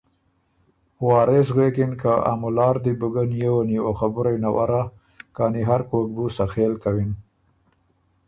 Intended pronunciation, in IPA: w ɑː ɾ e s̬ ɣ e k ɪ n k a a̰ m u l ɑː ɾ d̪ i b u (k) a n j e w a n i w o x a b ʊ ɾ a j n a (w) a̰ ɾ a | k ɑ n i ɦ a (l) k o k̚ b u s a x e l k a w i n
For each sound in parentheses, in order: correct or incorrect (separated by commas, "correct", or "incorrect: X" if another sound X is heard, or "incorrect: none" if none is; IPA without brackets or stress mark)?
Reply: incorrect: ɡ, correct, incorrect: ɾ